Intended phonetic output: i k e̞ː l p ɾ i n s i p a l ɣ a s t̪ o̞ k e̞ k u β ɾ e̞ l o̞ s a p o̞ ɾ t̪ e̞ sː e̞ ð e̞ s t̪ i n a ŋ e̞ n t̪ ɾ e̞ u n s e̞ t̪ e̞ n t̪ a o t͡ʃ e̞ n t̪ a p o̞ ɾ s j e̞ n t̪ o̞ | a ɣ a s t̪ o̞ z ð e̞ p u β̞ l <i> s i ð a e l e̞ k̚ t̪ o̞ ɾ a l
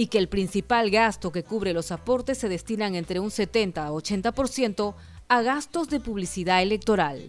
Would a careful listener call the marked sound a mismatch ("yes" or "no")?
no